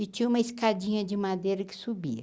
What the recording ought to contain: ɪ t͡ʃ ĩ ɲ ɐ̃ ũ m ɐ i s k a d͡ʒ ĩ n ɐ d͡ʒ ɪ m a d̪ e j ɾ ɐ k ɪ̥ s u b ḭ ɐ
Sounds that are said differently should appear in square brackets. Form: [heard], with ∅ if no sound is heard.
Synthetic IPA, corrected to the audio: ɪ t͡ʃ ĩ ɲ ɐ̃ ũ m ɐ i s k a d͡ʒ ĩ [ɲ] ɐ d͡ʒ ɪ m a d̪ e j ɾ ɐ k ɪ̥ s u b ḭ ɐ